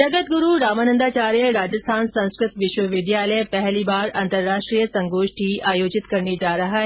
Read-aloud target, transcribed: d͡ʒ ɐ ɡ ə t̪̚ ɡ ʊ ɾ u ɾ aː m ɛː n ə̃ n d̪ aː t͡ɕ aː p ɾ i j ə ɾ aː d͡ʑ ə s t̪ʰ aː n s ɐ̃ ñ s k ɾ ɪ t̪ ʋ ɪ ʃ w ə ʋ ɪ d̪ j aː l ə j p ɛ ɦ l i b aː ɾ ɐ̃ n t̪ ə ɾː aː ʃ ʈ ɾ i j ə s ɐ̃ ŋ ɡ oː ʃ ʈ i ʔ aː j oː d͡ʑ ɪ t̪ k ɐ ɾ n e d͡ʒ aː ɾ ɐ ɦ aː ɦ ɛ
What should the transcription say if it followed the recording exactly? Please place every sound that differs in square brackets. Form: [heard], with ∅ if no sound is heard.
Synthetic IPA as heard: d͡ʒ ɐ ɡ ə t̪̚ ɡ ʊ ɾ u ɾ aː m [aː] n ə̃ n d̪ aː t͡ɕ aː [∅] ɾ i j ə ɾ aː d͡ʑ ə s t̪ʰ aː n s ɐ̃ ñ s k ɾ ɪ t̪ ʋ ɪ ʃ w ə ʋ ɪ d̪ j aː l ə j p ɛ ɦ l i b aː ɾ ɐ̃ n t̪ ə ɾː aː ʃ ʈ ɾ i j ə s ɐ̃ ŋ ɡ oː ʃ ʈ i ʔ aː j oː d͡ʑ ɪ t̪ k ɐ ɾ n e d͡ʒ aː ɾ ɐ ɦ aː ɦ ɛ